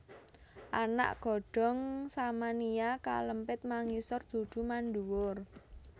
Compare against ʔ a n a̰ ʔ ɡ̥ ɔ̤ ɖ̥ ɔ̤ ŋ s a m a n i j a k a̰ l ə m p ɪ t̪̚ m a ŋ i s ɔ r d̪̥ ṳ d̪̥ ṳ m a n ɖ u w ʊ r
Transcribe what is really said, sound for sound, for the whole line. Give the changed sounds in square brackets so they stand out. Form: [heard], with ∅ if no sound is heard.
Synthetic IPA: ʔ a n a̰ ʔ ɡ̥ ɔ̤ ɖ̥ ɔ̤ ŋ s a m a n i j a k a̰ l ə m p ɪ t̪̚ m a ŋ i s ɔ r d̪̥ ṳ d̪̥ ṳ m a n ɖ u w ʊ r

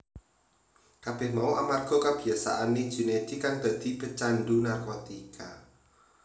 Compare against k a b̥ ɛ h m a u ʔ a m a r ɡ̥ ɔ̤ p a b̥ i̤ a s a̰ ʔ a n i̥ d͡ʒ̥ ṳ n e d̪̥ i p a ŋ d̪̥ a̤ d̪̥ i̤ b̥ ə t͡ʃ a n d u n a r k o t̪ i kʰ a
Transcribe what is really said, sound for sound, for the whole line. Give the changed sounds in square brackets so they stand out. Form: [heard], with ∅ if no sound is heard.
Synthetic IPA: k a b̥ ɛ h m a u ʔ a m a r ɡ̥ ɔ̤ [k] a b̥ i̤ a s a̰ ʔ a n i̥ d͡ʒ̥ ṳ n e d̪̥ i [k] a ŋ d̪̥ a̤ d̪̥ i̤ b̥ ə t͡ʃ a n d u n a r k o t̪ i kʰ a

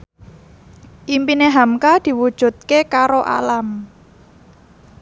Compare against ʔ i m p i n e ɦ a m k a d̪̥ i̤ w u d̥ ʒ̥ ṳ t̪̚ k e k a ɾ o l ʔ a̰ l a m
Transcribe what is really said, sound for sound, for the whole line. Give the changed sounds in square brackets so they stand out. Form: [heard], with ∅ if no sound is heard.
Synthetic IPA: ʔ i m p i n e ɦ a m k a d̪̥ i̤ w u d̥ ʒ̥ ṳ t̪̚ k e k a ɾ o [∅] ʔ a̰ l a m

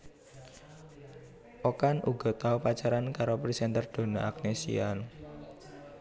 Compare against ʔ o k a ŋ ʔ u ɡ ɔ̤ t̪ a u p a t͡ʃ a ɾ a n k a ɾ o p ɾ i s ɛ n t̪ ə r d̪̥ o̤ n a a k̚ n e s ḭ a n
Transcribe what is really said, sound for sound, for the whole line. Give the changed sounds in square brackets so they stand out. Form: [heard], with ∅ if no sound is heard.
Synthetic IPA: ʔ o k a [n] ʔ u ɡ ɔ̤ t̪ a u p a t͡ʃ a ɾ a n k a ɾ o p ɾ i s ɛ n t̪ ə r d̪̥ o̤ n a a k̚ n e s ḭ a n

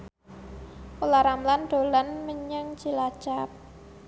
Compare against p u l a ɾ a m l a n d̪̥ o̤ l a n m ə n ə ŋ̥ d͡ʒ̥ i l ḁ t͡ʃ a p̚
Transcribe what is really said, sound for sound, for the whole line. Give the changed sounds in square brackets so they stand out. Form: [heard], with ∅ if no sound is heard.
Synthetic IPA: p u l a ɾ a m l a n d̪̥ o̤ l a n m ə [ɲ] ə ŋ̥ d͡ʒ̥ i l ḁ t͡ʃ a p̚

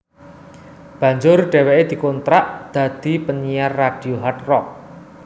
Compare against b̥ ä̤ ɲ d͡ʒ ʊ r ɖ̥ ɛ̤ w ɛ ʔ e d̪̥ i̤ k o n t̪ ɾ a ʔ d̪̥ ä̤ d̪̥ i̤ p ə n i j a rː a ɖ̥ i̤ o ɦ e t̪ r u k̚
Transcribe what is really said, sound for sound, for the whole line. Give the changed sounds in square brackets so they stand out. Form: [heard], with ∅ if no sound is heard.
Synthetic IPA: b̥ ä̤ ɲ d͡ʒ ʊ r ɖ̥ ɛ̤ w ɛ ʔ e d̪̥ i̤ k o n t̪ ɾ a ʔ d̪̥ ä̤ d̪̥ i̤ p ə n i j a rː a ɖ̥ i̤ o ɦ [a] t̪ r [ɔ] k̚

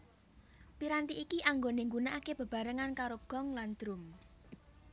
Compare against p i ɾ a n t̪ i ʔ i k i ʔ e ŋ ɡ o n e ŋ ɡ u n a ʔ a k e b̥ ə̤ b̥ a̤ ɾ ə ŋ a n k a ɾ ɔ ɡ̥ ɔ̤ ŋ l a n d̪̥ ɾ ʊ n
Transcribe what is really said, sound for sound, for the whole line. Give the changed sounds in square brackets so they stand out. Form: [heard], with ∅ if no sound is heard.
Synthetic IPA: p i ɾ a n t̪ i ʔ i k i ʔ [a] ŋ ɡ o n e ŋ ɡ u n a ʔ a k e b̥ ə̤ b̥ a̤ ɾ ə ŋ a n k a ɾ [o] ɡ̥ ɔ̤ ŋ l a n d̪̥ ɾ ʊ [m]

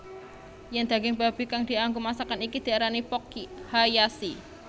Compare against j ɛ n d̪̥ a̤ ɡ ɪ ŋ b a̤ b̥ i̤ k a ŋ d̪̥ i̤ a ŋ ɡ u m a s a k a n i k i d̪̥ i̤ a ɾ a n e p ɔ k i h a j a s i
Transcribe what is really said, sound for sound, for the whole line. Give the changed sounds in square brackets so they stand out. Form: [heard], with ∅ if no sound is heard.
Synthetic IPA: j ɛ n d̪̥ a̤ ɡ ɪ ŋ b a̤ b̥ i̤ k a ŋ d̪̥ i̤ a ŋ ɡ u m a s a k a n i k i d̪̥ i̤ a ɾ a n [i] p ɔ k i h a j a s i

